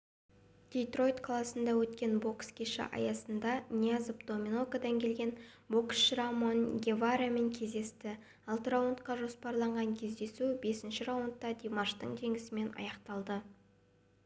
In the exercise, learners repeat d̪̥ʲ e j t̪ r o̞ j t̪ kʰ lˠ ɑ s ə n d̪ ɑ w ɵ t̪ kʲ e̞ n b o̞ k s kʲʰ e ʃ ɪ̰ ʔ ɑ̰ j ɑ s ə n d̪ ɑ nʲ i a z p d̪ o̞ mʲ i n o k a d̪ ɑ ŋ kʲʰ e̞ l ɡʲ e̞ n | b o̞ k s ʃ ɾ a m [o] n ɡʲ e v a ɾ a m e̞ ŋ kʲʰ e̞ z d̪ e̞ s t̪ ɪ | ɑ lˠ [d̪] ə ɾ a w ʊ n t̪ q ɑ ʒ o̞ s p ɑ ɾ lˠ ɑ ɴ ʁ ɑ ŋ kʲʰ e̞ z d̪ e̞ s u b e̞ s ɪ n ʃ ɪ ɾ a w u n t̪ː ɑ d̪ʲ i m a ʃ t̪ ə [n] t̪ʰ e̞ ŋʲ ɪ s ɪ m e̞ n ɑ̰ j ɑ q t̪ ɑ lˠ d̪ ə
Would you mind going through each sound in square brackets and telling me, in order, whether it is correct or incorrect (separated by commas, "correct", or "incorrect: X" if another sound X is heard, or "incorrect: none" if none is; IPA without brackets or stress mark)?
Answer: correct, incorrect: t̪, incorrect: ɴ